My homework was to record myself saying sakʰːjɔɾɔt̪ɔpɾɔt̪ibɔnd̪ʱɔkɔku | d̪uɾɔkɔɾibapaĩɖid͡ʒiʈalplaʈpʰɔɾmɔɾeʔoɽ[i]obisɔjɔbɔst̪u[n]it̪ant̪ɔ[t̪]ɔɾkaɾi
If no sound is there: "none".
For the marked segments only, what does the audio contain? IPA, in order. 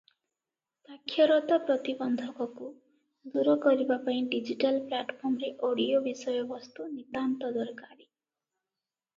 i, n, d̪

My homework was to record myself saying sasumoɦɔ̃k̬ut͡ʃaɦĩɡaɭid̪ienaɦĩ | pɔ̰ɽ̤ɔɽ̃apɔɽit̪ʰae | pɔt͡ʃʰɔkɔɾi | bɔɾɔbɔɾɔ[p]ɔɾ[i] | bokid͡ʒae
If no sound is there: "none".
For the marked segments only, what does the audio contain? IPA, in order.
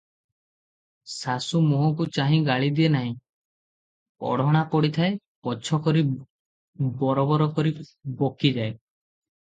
k, i

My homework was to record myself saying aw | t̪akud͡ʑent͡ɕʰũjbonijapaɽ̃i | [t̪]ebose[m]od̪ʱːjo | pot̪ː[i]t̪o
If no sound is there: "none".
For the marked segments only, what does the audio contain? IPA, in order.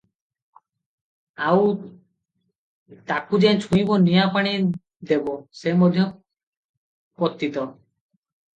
d̪, m, i

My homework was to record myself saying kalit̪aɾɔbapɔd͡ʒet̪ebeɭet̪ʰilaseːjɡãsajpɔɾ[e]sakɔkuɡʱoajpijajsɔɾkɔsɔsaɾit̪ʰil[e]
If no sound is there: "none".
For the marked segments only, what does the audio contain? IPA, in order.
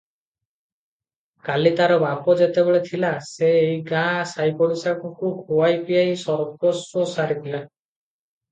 i, a

